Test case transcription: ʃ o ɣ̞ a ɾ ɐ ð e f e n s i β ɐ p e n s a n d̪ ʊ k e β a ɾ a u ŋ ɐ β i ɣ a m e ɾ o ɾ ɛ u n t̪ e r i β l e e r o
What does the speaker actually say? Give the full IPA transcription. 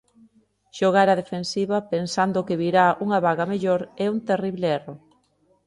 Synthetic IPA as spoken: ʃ o ɣ̞ a ɾ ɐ ð e f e n s i β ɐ p e n s a n d̪ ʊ k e β i ɾ a u ŋ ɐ β a ɣ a m e ʎ o ɾ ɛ u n t̪ e r i β l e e r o

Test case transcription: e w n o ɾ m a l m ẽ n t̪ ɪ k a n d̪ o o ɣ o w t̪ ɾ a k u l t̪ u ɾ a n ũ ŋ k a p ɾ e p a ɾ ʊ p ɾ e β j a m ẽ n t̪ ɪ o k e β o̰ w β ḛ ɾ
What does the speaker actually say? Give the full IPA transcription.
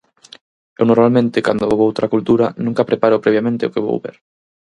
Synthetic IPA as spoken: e w n o ɾ m a l m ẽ n t̪ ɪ k a n d̪ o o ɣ o w t̪ ɾ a k u l t̪ u ɾ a n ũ ŋ k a p ɾ e p a ɾ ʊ p ɾ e β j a m ẽ n t̪ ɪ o k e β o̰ w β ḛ ɾ

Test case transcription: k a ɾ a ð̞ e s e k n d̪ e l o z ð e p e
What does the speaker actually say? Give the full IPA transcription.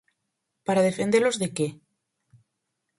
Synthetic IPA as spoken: p a ɾ a ð̞ e f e n d̪ e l o z ð e k e

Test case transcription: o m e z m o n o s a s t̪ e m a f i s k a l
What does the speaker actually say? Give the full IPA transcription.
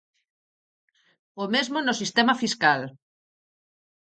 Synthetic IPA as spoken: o m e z m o n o s i s t̪ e m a f i s k a l

